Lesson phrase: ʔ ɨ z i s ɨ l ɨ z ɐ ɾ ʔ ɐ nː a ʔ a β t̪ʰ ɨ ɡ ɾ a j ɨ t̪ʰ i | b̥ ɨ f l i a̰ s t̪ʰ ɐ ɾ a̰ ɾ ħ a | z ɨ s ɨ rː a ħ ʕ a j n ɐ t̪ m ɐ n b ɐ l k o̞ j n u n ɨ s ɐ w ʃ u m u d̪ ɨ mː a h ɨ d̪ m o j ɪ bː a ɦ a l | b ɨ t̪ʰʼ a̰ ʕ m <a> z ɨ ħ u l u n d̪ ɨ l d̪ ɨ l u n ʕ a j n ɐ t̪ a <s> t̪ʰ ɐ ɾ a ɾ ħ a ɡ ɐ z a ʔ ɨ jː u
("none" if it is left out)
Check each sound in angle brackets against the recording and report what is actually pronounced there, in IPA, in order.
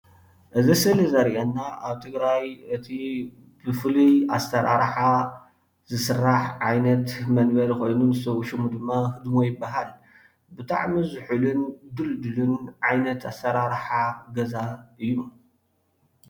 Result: i, s

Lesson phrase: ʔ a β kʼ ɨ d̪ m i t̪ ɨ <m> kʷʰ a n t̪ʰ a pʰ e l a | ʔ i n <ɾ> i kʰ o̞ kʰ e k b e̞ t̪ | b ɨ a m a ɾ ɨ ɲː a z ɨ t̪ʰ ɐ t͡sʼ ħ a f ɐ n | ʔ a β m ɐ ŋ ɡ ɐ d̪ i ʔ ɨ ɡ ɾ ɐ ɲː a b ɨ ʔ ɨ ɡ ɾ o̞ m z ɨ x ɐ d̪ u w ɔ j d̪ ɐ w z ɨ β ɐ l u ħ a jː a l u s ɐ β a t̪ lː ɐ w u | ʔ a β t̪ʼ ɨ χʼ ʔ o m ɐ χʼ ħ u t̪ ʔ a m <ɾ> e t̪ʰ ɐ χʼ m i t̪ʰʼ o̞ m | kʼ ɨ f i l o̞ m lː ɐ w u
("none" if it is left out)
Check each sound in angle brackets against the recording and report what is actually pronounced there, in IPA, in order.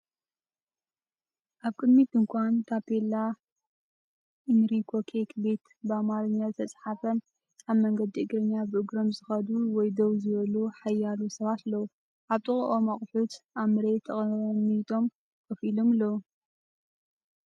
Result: ŋ, ɾ, ɾ

